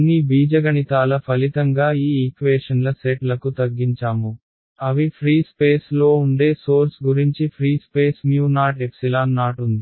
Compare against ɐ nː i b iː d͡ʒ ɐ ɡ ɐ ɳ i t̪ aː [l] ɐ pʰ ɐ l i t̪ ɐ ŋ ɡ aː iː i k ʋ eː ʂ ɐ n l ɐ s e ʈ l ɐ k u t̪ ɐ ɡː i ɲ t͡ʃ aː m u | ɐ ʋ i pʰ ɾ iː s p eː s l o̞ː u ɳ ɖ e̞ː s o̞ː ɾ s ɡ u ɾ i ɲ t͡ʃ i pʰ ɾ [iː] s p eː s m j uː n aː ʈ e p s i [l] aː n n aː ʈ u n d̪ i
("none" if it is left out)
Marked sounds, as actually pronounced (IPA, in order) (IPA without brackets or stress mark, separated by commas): l, iː, l